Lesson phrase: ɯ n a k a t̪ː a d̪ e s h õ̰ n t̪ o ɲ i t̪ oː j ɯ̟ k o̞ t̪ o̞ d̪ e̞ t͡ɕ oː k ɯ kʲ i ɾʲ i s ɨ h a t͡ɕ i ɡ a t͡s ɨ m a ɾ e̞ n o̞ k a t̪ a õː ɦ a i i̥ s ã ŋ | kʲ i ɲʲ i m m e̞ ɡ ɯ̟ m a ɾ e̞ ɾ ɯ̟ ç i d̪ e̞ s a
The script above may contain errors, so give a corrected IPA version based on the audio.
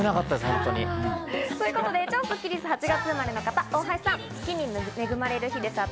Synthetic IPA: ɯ n a k a t̪ː a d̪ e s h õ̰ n t̪ o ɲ i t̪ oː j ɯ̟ k o̞ t̪ o̞ d̪ e̞ t͡ɕ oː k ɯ kʲ i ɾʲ i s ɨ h a t͡ɕ i ɡ a t͡s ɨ m a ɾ e̞ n o̞ k a t̪ a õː ɦ a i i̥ s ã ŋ | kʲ i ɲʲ i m m e̞ ɡ ɯ̟ m a ɾ e̞ ɾ ɯ̟ ç i d̪ e̞ s a